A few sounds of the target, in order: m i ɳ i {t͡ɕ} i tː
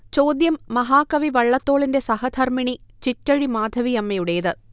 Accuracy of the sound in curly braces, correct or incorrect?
correct